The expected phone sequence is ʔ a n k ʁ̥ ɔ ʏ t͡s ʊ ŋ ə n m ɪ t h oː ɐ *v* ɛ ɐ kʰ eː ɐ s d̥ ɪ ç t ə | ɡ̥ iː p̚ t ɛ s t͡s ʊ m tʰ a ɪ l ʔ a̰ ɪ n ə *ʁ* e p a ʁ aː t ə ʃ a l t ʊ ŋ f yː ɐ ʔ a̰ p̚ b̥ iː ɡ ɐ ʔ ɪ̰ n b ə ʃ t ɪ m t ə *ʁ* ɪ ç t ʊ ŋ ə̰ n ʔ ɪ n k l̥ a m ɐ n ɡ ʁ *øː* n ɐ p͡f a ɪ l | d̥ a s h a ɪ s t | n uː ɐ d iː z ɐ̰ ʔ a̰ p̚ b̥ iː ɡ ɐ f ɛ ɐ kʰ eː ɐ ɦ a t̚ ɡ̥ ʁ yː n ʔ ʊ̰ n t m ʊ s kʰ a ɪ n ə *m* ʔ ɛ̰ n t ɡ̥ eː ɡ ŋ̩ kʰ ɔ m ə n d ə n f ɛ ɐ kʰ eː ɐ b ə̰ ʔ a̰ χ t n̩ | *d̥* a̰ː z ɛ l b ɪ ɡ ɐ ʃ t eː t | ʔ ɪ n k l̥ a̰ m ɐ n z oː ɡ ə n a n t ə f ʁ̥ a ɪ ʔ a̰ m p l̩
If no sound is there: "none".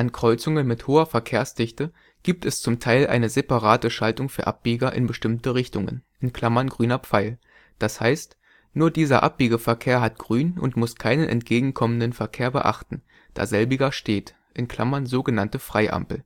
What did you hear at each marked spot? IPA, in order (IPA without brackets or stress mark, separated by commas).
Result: f, z, ʁ, yː, n, d̥